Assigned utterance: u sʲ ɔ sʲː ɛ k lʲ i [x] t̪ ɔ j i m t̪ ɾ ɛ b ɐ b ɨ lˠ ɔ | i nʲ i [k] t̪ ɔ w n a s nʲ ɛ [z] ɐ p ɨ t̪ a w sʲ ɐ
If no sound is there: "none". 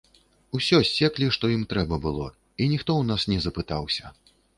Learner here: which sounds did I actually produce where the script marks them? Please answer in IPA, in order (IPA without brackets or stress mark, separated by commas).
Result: ʂ, x, z